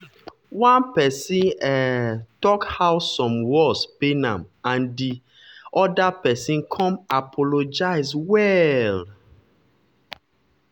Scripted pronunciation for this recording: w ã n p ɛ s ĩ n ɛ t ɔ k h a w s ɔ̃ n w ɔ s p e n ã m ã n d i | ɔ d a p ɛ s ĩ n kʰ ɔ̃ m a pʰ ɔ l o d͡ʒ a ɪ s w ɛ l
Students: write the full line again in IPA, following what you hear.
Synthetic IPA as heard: w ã n p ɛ s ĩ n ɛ t ɔ k h a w s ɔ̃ m w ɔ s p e n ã m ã n d i | ɔ d a p ɛ s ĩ n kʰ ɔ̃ m a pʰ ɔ l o d͡ʒ a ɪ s w ɛ l